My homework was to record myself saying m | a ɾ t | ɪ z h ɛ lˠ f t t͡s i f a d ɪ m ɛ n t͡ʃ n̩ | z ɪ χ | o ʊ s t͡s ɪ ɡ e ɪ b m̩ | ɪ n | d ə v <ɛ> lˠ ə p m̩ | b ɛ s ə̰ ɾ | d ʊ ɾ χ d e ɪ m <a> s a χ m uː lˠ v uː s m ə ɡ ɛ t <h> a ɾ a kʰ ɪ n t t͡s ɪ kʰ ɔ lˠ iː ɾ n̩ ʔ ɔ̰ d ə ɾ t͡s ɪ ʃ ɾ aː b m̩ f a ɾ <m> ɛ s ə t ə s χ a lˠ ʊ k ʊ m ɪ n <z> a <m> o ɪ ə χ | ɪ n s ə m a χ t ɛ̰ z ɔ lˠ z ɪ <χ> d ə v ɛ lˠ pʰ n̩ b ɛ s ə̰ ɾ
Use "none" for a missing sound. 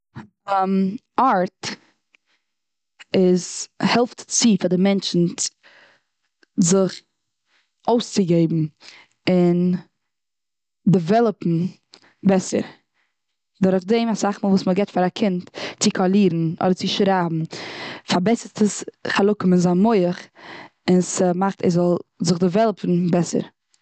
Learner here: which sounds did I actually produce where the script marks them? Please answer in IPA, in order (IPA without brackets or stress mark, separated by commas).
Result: ɛ, a, f, b, z, m, χ